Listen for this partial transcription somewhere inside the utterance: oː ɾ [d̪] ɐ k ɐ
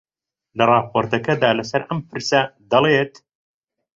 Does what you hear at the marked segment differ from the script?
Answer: yes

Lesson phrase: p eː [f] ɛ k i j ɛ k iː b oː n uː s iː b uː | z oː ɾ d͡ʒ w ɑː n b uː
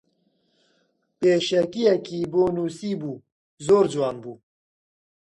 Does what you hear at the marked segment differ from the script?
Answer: yes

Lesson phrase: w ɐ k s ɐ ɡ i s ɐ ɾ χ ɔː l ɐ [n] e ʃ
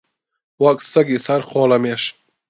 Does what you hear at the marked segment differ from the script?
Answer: yes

